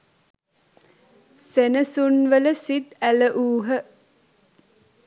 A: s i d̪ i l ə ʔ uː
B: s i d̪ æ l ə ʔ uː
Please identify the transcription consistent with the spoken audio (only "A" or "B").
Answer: B